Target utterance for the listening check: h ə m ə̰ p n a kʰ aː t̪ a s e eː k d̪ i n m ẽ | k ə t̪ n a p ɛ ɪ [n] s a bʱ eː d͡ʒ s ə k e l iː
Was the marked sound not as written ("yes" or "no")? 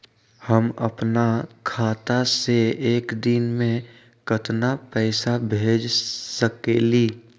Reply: yes